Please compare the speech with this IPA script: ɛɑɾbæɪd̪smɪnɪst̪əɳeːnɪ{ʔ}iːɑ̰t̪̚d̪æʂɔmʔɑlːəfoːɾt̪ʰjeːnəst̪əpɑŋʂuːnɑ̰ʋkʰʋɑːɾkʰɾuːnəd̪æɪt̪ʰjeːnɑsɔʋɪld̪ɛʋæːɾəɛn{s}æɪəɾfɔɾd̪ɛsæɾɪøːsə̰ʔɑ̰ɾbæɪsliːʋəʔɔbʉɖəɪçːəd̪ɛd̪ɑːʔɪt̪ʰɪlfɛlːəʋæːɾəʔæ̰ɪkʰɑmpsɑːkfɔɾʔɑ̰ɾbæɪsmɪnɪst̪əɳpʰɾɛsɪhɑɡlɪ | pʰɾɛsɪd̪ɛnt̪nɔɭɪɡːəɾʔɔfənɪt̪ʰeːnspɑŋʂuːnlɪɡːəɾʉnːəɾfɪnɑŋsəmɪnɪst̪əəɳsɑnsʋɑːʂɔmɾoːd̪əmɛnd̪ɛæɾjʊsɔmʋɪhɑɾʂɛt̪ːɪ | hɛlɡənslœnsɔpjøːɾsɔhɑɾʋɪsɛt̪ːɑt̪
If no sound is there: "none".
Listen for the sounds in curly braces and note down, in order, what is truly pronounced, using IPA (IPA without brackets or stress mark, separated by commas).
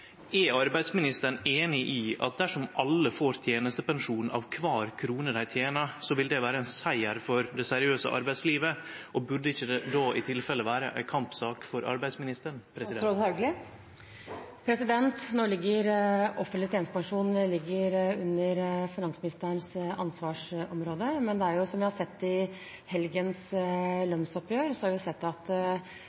ʔ, s